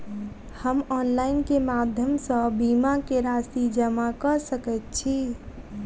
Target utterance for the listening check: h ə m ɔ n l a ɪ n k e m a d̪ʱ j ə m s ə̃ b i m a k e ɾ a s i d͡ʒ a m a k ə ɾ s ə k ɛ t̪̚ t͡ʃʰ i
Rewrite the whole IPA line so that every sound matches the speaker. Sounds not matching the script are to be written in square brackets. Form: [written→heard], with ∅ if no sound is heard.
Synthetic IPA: h ə m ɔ n l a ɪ n k e m a d̪ʱ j ə m s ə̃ b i m a k e ɾ a s i d͡ʒ [a→ə] m a k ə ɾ s ə k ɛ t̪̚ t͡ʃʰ i